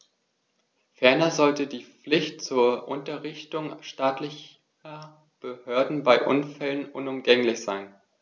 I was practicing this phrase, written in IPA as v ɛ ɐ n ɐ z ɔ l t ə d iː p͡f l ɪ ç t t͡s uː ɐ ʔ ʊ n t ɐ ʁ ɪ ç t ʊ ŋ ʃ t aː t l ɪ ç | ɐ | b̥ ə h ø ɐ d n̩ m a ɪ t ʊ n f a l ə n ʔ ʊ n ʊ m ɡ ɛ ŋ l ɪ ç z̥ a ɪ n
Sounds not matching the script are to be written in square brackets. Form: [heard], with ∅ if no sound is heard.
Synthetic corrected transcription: [f] ɛ ɐ n ɐ z ɔ l t ə d iː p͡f l ɪ ç t t͡s uː ɐ ʔ ʊ n t ɐ ʁ ɪ ç t ʊ ŋ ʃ t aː t l ɪ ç | ɐ | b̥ ə h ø ɐ d n̩ [b] a ɪ [ʔ] ʊ n f [ɛ] l ə n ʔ ʊ n ʊ m ɡ ɛ ŋ l ɪ ç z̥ a ɪ n